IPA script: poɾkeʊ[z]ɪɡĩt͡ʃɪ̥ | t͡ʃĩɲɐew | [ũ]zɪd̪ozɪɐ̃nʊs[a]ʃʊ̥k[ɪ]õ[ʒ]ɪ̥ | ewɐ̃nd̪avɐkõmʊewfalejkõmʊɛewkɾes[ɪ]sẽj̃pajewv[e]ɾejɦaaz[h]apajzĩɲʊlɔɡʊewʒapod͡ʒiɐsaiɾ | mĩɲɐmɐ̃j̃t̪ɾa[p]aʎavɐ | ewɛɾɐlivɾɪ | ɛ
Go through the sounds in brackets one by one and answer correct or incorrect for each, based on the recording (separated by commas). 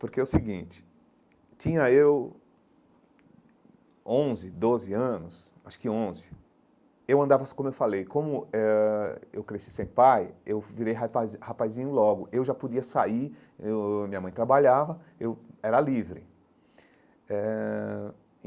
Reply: incorrect, incorrect, correct, correct, incorrect, incorrect, incorrect, correct, incorrect